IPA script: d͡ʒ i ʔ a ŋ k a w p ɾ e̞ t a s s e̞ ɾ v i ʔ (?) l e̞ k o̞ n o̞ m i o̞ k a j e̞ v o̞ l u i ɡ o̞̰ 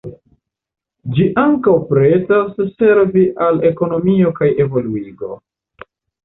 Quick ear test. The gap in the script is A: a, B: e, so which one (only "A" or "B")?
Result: A